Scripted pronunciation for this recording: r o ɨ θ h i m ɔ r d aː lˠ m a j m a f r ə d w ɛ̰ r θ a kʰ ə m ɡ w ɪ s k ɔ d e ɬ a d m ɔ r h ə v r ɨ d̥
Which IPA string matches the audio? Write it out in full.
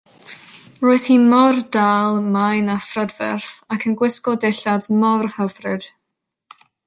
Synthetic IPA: r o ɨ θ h i m ɔ r d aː lˠ m a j n a f r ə d v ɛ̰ r θ a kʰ ə n ɡ w ɪ s k ɔ d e ɬ a d m ɔ r h ə v r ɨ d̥